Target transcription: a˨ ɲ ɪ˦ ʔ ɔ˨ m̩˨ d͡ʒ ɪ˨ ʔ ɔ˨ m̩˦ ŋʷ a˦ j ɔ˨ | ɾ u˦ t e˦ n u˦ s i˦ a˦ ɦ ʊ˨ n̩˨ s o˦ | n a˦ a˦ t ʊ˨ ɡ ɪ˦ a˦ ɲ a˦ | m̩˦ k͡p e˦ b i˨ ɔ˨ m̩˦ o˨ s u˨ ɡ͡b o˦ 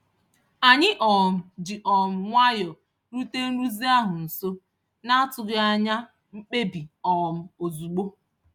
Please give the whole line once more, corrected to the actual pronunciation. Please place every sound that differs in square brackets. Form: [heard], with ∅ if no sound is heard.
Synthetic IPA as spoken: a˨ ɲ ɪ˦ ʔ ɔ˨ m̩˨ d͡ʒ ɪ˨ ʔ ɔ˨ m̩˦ ŋʷ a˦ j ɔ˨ | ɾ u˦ t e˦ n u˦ [z] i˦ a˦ ɦ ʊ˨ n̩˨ s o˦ | n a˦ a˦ t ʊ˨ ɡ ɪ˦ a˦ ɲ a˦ | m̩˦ k͡p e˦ b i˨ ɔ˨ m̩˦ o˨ [z] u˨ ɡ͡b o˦